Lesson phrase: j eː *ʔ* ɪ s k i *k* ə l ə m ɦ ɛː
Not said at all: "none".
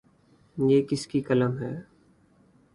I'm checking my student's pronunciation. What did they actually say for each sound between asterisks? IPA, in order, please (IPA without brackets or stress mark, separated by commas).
k, k